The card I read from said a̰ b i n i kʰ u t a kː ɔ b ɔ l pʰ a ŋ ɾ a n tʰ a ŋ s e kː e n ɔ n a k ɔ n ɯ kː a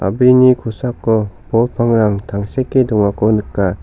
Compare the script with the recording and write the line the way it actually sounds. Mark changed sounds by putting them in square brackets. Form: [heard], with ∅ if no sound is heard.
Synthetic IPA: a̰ b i n i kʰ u [s] a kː ɔ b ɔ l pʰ a ŋ ɾ a [ŋ] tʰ a ŋ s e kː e [d] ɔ [ŋ] a k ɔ n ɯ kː a